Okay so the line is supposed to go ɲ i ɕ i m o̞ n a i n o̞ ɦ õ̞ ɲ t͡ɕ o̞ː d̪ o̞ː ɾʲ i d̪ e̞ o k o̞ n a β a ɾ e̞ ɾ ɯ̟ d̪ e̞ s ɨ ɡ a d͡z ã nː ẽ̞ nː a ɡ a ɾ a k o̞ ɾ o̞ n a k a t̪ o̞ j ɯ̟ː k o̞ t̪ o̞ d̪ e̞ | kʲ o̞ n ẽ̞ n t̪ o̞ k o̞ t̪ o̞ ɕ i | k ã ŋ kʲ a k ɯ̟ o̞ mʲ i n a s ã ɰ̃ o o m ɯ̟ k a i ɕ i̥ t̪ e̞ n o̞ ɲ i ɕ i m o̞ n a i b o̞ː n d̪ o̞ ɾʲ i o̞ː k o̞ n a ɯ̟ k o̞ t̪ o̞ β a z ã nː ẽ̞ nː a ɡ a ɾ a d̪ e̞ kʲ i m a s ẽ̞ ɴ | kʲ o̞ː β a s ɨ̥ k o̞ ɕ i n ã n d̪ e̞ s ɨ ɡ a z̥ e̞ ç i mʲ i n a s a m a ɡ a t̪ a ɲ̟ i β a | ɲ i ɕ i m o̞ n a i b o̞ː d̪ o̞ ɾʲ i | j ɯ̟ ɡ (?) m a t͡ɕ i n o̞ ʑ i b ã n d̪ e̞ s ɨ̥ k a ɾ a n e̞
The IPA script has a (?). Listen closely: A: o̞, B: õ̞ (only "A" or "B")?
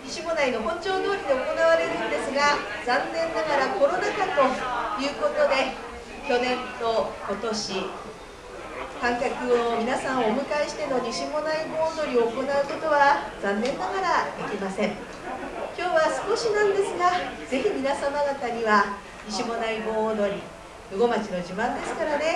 A